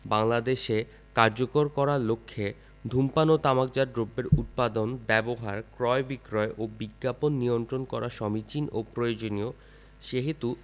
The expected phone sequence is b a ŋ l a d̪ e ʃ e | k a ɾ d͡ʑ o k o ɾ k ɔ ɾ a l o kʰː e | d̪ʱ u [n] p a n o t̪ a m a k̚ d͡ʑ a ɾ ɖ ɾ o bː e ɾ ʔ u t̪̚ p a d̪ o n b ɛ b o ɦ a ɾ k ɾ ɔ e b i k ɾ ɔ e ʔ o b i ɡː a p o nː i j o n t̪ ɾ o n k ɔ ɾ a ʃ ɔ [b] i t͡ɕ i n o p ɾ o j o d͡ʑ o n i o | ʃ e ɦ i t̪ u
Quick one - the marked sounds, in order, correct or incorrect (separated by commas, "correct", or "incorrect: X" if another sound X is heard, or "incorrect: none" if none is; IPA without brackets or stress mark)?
incorrect: m, incorrect: m